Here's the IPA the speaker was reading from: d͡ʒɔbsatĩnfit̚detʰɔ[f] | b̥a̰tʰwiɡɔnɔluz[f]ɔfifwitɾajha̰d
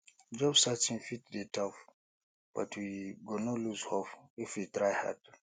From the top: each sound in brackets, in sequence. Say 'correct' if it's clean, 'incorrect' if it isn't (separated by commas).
correct, incorrect